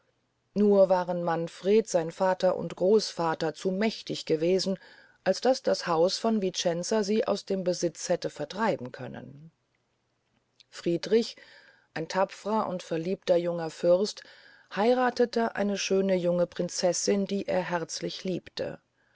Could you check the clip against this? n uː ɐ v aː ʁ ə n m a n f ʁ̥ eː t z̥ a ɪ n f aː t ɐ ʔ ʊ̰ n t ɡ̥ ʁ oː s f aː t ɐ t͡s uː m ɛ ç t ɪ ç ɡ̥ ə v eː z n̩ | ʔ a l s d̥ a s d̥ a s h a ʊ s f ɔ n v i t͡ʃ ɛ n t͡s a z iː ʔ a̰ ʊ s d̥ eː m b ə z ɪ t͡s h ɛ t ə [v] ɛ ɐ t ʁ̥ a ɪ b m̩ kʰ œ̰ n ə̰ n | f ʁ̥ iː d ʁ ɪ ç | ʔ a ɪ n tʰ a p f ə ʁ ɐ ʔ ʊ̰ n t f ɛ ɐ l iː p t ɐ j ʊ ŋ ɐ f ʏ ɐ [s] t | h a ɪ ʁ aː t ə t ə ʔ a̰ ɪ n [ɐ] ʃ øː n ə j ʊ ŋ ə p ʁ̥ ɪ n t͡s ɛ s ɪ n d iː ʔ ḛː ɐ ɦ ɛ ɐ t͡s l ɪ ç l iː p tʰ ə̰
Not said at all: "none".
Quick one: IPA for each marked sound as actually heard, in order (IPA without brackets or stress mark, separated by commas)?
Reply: f, s, ə